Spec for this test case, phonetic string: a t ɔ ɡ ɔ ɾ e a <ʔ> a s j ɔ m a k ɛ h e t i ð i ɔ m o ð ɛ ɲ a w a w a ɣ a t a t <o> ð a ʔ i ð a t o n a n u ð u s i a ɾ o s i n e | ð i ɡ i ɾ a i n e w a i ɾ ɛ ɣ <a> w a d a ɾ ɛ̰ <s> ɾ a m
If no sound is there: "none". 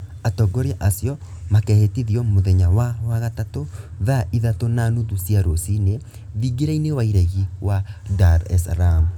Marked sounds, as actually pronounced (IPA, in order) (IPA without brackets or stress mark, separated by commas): ʔ, o, i, s